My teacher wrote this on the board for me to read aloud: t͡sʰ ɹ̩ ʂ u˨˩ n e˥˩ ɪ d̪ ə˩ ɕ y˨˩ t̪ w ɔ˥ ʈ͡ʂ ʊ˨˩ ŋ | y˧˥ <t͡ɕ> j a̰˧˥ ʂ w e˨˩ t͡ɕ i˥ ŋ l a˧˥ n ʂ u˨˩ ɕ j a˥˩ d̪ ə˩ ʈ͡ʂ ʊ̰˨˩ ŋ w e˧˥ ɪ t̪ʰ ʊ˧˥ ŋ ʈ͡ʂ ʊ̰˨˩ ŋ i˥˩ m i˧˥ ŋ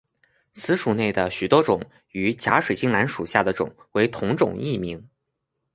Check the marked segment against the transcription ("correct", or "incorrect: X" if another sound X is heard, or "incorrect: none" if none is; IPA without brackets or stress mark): correct